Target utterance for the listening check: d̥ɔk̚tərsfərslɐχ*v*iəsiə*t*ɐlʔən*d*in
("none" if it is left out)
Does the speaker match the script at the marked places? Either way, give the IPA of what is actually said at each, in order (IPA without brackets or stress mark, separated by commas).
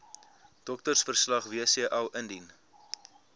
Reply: v, ʔ, d